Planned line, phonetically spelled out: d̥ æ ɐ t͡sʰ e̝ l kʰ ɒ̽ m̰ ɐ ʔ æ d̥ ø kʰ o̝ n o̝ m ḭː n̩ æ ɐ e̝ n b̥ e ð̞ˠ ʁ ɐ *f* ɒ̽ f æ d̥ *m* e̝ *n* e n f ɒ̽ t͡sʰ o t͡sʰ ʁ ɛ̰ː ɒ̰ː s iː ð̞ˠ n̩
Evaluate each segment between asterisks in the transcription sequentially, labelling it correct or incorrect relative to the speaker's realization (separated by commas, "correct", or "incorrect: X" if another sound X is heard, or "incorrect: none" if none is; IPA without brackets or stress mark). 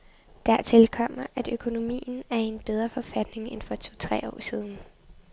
correct, incorrect: n, incorrect: ŋ